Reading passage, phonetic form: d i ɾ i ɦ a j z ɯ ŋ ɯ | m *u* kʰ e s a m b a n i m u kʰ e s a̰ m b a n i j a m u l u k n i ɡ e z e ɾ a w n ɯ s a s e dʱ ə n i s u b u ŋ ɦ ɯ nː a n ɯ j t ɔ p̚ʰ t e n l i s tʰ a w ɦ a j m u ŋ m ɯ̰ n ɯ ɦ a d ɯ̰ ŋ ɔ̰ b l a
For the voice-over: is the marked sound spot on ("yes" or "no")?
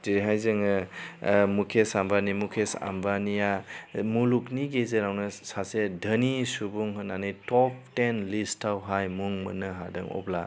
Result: yes